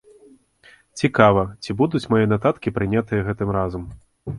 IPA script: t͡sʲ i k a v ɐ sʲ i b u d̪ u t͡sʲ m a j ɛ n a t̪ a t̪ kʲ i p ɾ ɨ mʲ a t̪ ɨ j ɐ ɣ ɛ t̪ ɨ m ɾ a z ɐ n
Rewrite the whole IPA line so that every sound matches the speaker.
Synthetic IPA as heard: t͡sʲ i k a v ɐ t͡sʲ i b u d̪ u t͡sʲ m a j ɛ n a t̪ a t̪ kʲ i p ɾ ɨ nʲ a t̪ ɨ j ɐ ɣ ɛ t̪ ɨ m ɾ a z ɐ m